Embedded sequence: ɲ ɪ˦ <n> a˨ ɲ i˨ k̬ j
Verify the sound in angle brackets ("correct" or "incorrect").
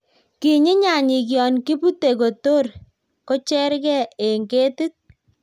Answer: incorrect